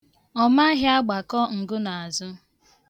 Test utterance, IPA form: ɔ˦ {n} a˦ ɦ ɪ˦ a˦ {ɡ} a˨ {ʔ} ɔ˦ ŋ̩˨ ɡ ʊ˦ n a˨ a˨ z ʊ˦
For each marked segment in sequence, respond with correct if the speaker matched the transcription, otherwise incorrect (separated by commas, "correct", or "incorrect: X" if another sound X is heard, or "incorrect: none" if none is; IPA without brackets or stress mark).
incorrect: m, incorrect: ɡ͡b, incorrect: k